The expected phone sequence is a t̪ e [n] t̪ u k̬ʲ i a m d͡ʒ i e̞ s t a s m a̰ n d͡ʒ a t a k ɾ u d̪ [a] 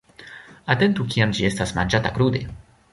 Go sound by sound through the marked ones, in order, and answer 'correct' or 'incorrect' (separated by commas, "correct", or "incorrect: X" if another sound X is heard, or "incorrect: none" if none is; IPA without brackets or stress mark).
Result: correct, incorrect: e